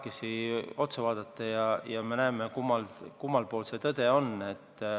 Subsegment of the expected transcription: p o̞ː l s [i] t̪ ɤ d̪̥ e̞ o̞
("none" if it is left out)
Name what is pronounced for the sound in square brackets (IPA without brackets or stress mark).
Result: e